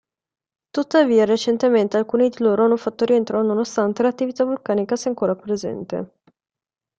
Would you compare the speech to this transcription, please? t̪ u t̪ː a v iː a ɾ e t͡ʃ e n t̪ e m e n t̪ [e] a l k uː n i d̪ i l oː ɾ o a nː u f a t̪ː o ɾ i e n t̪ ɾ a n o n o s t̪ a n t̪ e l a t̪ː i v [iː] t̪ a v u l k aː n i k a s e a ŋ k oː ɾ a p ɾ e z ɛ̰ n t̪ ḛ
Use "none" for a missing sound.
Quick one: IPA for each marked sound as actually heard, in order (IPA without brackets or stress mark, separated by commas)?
e, i